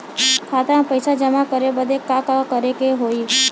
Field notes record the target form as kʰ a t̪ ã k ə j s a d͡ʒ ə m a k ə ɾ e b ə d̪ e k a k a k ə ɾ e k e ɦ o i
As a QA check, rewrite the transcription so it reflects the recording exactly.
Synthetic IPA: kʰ a t̪ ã p ə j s a d͡ʒ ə m a k ə ɾ e b ə d̪ e k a k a k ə ɾ e k e ɦ o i